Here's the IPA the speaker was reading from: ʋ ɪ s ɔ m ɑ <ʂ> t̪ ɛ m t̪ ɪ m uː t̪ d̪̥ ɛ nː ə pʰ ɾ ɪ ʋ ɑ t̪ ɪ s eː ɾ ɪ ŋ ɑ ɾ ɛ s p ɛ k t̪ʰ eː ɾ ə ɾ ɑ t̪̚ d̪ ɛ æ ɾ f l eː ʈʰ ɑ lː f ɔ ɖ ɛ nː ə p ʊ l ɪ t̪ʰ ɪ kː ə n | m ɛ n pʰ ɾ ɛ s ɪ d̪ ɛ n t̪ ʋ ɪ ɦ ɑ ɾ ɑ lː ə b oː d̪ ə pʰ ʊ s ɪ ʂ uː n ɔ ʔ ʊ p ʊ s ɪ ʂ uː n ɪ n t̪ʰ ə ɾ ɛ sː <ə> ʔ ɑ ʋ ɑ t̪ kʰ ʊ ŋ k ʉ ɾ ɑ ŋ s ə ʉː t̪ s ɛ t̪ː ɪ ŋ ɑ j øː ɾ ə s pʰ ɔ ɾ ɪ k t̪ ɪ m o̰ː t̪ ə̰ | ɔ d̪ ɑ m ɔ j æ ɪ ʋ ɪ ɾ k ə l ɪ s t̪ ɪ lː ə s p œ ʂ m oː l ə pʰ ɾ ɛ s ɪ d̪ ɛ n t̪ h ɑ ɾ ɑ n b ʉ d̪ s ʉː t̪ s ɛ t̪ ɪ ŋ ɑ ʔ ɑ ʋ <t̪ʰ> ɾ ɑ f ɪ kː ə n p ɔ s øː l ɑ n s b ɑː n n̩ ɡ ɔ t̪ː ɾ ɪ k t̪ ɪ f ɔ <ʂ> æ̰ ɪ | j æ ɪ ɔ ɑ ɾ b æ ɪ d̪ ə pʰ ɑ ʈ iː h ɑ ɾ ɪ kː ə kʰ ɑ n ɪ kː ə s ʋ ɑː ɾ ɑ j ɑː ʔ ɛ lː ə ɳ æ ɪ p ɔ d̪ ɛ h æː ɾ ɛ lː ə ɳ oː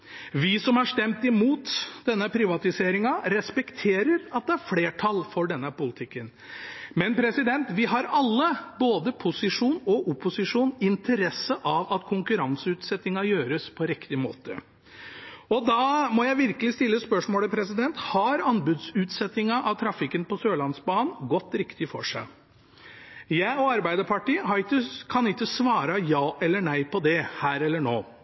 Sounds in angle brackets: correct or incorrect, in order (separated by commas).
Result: correct, correct, correct, correct